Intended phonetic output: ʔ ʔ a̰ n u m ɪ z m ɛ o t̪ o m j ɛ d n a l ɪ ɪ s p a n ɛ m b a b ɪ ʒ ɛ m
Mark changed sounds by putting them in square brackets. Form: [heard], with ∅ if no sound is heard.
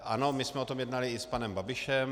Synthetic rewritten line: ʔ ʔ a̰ n [o] m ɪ [s] m ɛ o t̪ o m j ɛ d n a l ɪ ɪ s p a n ɛ m b a b ɪ [ʃ] ɛ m